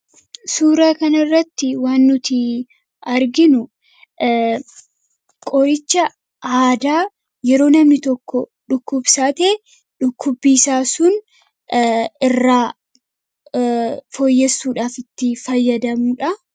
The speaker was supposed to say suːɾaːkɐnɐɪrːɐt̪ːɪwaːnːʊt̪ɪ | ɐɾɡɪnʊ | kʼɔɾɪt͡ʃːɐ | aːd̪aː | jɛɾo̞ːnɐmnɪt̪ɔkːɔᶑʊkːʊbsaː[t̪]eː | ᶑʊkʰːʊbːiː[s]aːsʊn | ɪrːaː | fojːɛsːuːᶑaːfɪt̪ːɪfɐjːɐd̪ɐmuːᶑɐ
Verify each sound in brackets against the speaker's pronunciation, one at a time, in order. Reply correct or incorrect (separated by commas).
correct, correct